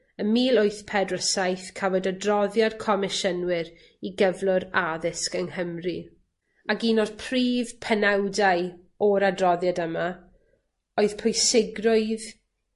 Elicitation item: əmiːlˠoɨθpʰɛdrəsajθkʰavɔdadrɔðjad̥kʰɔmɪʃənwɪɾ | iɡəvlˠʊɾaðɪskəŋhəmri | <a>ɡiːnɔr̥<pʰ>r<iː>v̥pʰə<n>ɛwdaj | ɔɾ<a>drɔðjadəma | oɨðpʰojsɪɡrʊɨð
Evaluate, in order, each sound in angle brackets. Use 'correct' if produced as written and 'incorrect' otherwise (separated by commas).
correct, correct, correct, correct, correct